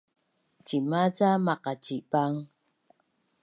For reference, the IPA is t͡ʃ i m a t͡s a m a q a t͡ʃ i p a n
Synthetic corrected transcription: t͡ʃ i m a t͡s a m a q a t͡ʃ i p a ŋ